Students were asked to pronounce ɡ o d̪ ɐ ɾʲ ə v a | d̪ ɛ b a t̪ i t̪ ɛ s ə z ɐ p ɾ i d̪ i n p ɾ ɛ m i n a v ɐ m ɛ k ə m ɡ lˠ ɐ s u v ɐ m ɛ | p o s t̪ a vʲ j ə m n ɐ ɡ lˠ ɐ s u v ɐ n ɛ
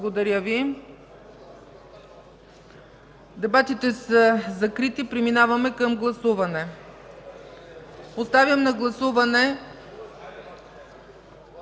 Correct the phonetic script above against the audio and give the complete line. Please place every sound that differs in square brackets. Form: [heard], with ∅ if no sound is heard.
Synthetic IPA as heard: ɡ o d̪ ɐ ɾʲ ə v [i] | d̪ ɛ b a t̪ i t̪ ɛ s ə z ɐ [k] ɾ i [t̪] i [∅] p ɾ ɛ m i n a v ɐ m ɛ k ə m ɡ lˠ ɐ s u v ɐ [n] ɛ | p o s t̪ a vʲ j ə m n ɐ ɡ lˠ ɐ s u v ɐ n ɛ